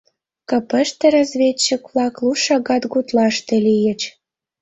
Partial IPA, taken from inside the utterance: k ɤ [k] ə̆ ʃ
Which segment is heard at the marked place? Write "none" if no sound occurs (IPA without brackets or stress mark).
p